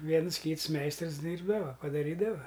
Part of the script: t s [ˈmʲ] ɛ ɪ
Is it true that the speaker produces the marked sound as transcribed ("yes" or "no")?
yes